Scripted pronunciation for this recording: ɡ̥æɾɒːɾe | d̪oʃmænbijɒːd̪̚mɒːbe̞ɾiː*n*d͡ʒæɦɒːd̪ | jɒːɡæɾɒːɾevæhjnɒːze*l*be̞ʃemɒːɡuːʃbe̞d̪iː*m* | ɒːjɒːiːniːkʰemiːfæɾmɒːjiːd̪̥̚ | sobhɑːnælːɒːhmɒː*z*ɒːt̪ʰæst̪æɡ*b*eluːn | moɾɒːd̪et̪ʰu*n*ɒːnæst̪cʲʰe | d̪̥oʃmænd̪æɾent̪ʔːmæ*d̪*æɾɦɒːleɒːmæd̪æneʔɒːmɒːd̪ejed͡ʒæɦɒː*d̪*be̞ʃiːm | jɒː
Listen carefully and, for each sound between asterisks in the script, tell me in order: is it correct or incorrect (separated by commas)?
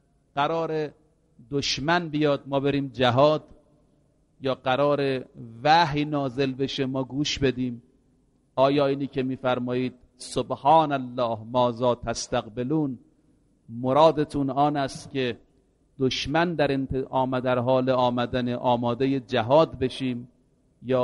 incorrect, correct, correct, correct, correct, correct, correct, correct